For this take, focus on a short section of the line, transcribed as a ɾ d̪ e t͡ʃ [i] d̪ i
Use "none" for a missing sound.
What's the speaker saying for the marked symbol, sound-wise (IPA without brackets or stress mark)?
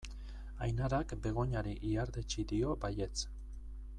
i